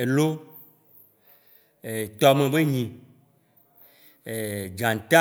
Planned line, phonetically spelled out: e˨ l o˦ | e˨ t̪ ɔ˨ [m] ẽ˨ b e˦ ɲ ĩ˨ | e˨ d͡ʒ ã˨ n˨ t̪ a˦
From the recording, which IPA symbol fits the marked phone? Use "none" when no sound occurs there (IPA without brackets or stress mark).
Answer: m